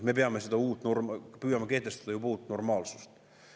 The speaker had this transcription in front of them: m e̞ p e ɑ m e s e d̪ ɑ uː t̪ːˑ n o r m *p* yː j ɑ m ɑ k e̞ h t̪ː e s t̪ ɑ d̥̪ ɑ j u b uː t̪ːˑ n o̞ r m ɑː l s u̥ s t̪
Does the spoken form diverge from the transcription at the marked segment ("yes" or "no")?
no